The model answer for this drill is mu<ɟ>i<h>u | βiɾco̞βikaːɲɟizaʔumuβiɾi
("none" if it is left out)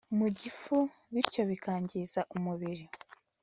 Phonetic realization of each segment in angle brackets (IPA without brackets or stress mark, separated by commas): ɟ, f